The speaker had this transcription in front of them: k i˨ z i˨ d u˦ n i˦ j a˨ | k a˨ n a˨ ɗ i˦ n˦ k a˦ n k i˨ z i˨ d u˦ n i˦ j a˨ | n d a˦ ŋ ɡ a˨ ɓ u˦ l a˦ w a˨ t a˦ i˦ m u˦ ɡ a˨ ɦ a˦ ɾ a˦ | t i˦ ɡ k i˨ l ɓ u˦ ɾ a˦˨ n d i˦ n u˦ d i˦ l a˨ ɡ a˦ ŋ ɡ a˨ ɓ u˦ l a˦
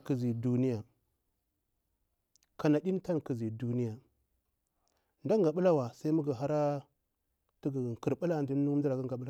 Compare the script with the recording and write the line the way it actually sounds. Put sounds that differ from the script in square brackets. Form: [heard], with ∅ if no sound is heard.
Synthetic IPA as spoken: k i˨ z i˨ d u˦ n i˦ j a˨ | k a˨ n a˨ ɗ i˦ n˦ [t] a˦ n k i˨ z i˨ d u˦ n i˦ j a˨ | n d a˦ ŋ ɡ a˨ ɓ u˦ l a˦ w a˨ [s] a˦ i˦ m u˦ ɡ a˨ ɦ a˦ ɾ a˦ | t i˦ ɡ k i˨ [ɾ] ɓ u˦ [l] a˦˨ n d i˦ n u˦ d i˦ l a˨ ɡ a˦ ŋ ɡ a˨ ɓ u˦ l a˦